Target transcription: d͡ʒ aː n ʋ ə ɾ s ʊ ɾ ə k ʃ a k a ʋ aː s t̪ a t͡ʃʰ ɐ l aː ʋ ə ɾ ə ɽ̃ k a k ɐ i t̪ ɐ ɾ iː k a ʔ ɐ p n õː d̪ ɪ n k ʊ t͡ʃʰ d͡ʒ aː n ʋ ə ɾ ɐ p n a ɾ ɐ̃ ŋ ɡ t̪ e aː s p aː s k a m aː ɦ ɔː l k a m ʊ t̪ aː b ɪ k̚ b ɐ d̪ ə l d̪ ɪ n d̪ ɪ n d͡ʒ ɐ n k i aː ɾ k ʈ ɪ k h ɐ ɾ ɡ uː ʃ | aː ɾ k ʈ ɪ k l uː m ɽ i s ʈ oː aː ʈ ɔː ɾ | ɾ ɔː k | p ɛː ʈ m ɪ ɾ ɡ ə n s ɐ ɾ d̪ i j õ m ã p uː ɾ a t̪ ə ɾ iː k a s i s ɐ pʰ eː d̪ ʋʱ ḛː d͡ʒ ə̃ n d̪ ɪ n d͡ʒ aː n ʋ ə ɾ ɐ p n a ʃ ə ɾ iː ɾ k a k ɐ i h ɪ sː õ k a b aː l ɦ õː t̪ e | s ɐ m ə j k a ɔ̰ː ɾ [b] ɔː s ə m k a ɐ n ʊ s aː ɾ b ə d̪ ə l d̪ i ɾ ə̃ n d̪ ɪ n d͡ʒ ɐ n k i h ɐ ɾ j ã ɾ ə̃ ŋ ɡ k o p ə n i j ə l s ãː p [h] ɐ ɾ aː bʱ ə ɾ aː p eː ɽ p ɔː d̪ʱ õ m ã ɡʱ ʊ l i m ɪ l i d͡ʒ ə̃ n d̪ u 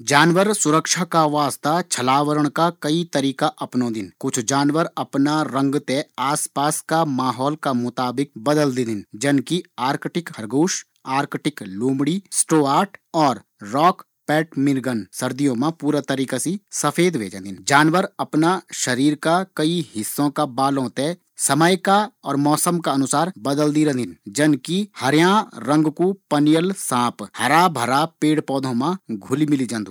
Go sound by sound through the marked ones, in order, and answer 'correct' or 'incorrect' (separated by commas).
incorrect, correct